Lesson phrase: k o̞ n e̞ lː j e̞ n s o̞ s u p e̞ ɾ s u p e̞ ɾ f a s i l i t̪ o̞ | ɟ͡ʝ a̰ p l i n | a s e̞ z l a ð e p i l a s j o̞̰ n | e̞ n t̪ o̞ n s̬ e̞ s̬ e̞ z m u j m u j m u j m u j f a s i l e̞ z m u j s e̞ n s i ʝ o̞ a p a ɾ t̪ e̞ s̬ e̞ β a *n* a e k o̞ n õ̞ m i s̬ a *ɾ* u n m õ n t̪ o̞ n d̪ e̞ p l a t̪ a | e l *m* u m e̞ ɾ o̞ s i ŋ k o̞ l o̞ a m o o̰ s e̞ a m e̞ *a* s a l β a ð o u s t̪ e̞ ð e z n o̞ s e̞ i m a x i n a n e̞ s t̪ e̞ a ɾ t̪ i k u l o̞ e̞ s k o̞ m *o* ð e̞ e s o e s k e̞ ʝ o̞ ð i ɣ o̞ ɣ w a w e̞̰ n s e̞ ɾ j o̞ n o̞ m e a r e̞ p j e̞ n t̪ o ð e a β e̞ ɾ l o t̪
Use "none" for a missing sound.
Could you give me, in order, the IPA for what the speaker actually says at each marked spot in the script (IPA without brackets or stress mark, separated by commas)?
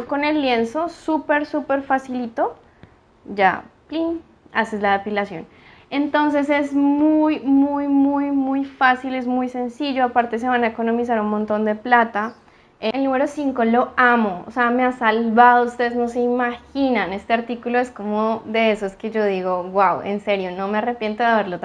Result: n, ɾ, n, a, o